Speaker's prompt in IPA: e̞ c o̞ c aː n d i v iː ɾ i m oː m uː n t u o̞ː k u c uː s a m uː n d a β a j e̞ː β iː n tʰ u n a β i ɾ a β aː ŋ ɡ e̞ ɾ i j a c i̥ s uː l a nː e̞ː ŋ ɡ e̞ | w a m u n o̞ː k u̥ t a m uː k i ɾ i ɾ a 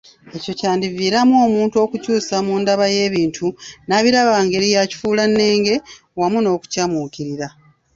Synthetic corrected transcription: e̞ c o̞ c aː n d i v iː ɾ a m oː m uː n t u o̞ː k u c uː s a m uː n d a β a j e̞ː β iː n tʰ u n a β i ɾ a β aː ŋ ɡ e̞ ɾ i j a c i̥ f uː l a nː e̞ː ŋ ɡ e̞ | w a m u n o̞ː k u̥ c a m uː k i ɾ i ɾ a